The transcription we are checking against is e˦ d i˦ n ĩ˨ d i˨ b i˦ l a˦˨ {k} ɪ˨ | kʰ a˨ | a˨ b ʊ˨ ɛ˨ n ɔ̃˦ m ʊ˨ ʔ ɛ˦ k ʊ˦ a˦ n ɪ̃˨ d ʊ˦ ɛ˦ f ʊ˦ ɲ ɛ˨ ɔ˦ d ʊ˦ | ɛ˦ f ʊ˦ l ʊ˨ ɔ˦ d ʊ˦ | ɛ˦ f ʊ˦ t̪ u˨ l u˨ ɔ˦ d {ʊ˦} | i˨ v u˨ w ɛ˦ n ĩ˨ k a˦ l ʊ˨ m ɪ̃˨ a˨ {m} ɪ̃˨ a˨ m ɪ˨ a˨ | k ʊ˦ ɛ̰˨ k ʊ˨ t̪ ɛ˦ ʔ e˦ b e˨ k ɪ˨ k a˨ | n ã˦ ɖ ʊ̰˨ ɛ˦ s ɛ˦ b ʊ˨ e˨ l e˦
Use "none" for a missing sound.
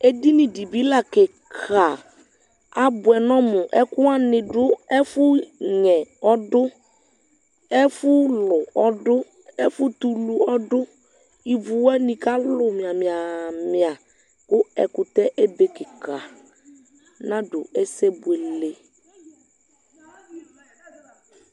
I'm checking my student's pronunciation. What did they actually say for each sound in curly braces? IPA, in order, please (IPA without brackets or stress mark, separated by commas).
k, ʊ˦, m